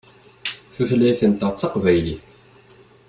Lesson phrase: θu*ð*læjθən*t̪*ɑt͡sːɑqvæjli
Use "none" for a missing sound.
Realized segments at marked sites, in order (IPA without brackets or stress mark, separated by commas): θ, t̪